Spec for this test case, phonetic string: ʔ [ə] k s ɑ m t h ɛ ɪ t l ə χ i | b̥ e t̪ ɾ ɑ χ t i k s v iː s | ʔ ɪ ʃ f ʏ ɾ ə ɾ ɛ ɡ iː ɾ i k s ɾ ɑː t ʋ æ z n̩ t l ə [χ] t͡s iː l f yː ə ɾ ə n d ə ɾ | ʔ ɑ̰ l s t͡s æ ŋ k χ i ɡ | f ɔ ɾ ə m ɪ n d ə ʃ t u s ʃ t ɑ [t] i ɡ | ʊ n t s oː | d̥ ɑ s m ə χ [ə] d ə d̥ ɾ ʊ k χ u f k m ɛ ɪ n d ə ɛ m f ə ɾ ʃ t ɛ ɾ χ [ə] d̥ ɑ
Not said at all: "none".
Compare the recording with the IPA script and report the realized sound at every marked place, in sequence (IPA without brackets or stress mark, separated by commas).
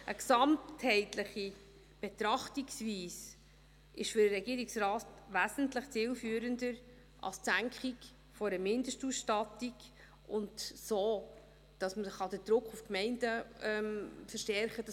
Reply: ə, χ, t, ɑ, ə